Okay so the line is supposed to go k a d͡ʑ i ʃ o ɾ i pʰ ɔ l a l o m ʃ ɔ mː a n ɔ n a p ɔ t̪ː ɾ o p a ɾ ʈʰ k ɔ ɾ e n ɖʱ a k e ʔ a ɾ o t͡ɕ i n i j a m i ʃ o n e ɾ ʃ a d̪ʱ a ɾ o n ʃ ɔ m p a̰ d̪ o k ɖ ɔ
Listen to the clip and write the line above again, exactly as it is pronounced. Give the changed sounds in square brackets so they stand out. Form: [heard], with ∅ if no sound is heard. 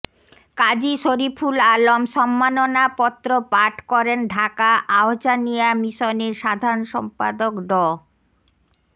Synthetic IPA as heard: k a d͡ʑ i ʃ o ɾ i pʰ [u] l a l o m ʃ ɔ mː a n [o] n a p ɔ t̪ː ɾ o p a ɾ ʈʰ k ɔ ɾ e n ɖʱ a k [a] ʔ a [∅] o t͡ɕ [a] n i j a m i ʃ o n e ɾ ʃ a d̪ʱ a ɾ o n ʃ ɔ m p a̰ d̪ o k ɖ ɔ

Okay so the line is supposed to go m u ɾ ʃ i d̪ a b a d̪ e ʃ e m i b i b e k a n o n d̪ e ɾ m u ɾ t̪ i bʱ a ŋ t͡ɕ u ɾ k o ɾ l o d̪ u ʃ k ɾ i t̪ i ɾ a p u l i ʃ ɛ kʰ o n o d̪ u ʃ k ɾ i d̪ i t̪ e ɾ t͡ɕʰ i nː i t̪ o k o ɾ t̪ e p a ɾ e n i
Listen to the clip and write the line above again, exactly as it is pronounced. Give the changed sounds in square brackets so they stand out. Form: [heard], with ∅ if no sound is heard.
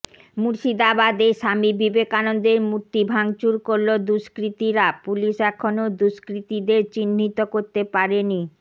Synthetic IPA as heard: m u ɾ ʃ i d̪ a b a d̪ e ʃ [a] m i b i b e k a n o n d̪ e ɾ m u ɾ t̪ i bʱ a ŋ t͡ɕ u ɾ k o ɾ l o d̪ u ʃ k ɾ i t̪ i ɾ a p u l i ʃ ɛ kʰ o n o d̪ u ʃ k ɾ i [t̪] i [d̪] e ɾ [t͡ɕ] i nː i t̪ o k o ɾ t̪ e p a ɾ e n i

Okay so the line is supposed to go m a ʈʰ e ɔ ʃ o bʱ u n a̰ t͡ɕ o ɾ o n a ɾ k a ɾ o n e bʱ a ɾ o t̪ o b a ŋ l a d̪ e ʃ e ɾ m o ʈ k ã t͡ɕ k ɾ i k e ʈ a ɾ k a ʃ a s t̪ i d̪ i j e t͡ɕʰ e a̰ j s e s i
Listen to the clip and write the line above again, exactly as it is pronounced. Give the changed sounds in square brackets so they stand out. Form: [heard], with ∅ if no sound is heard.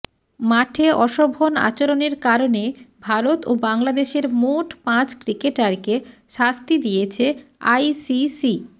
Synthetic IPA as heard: m a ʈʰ e ɔ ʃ o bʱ [o] n a̰ t͡ɕ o ɾ o n [e] ɾ k a ɾ o n e bʱ a ɾ o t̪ o b a ŋ l a d̪ e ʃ e ɾ m o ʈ [p] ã t͡ɕ k ɾ i k e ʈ a ɾ k [e] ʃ a s t̪ i d̪ i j e t͡ɕʰ e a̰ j s [i] s i

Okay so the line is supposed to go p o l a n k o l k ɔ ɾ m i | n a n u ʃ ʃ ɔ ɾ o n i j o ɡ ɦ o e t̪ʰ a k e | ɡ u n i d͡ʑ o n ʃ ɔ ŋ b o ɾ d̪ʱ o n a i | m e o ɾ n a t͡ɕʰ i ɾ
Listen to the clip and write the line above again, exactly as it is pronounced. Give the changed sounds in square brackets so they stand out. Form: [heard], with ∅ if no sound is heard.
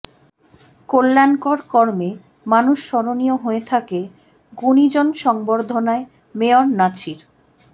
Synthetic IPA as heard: [k] o [lː] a n k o [ɾ] k ɔ ɾ m [e] | [m] a n u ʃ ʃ ɔ ɾ o n i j o [∅] ɦ o e t̪ʰ a k e | ɡ u n i d͡ʑ o n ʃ ɔ ŋ b o ɾ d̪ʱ o n a [e] | m e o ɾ n a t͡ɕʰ i ɾ

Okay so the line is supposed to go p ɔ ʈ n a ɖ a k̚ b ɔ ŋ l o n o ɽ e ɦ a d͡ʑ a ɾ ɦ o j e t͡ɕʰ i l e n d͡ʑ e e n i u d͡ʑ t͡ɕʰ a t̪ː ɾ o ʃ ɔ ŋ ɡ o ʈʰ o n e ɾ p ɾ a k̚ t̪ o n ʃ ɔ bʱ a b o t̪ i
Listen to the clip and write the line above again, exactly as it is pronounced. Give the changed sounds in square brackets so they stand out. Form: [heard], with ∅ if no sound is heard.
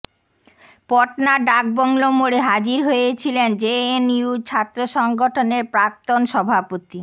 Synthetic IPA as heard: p ɔ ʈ n a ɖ a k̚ b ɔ ŋ l o [m] o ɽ e ɦ a d͡ʑ [i] ɾ ɦ o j e t͡ɕʰ i l e n d͡ʑ e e n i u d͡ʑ t͡ɕʰ a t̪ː ɾ o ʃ ɔ ŋ ɡ o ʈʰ o n e ɾ p ɾ a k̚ t̪ o n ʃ ɔ bʱ a [p] o t̪ i

